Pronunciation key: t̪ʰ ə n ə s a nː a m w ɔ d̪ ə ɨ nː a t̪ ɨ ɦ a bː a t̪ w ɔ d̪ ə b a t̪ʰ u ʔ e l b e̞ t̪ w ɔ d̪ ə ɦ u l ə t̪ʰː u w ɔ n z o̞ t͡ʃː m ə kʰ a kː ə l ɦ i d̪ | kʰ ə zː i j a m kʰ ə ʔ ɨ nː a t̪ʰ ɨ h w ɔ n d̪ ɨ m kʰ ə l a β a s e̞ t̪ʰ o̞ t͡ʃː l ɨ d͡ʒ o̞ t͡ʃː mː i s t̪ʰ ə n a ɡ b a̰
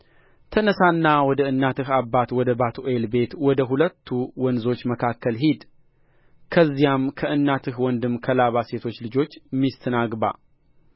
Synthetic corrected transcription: t̪ʰ ə n ə s a nː a w ɔ d̪ ə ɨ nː a t̪ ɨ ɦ a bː a t̪ w ɔ d̪ ə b a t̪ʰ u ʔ e l b e̞ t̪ w ɔ d̪ ə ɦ u l ə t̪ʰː u w ɔ n z o̞ t͡ʃː m ə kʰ a kː ə l ɦ i d̪ | kʰ ə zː i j a m kʰ ə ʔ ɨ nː a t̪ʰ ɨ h w ɔ n d̪ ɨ m kʰ ə l a β a s e̞ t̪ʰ o̞ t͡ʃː l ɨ d͡ʒ o̞ t͡ʃː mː i s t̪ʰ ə n a ɡ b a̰